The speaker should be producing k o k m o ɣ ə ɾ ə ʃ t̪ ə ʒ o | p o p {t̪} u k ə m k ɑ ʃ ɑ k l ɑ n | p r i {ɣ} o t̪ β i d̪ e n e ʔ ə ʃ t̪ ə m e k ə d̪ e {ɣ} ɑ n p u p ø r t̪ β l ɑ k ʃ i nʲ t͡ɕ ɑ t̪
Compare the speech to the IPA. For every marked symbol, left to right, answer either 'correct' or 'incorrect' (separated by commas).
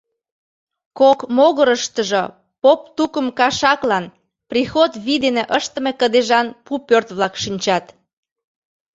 correct, incorrect, incorrect